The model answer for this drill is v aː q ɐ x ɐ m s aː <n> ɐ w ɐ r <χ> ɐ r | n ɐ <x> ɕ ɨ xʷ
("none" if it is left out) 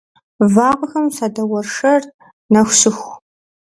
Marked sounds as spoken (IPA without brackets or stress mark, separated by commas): d, ʂ, x